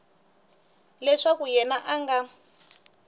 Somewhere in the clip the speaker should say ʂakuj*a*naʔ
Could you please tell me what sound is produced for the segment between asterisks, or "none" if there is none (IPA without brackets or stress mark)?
ɛ